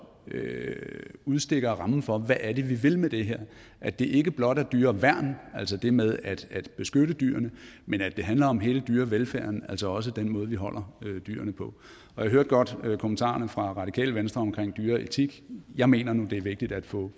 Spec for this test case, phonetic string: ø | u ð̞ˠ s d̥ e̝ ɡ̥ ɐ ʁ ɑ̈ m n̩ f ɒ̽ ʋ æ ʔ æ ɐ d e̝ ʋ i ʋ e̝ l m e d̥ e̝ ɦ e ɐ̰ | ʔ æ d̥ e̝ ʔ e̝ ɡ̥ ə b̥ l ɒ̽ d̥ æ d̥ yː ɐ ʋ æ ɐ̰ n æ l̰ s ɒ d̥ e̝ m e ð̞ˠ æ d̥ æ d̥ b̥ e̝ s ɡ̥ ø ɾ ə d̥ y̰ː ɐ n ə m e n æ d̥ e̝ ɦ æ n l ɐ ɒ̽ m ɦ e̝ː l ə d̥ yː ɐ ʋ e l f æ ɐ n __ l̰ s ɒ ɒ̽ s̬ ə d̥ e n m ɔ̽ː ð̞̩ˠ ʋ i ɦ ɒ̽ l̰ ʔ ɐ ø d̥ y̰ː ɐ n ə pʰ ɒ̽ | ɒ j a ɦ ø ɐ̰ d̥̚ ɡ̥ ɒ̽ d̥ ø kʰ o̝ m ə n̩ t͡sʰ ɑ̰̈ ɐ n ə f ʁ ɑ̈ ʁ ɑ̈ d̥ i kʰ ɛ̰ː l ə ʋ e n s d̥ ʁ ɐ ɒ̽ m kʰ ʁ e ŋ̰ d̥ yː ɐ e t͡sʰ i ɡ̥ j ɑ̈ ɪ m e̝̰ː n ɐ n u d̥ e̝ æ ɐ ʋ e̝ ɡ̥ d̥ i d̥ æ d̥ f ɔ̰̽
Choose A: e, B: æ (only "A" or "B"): B